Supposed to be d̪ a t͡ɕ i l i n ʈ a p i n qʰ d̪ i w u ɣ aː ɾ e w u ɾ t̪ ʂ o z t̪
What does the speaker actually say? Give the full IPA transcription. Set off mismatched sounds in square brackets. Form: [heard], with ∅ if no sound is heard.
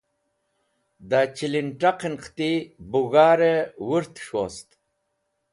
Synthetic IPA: d̪ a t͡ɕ i l i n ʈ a [q] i n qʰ [t̪] i [b] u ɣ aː ɾ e w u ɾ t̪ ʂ o [s] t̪